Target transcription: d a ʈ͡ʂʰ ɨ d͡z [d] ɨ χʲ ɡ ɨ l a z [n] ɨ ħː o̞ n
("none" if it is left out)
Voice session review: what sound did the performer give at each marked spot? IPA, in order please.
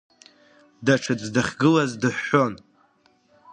d, d

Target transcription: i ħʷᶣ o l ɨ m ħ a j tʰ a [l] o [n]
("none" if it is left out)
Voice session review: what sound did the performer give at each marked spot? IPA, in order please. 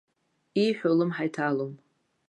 l, m

